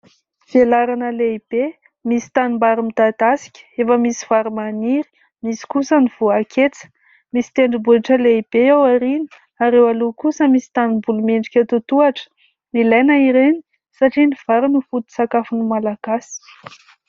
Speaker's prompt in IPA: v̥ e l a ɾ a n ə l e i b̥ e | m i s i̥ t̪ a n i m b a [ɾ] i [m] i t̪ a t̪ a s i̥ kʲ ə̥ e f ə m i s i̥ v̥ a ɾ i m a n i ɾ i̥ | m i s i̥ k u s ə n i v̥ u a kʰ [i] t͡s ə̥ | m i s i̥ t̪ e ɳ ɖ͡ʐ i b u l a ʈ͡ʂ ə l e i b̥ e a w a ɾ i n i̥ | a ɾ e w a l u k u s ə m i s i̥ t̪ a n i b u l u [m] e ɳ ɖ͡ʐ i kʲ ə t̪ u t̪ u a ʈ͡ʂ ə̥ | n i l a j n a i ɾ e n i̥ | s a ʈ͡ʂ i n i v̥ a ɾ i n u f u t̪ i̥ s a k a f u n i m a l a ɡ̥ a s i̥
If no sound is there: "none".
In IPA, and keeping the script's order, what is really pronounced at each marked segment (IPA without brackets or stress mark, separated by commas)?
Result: ɾ, m, e, m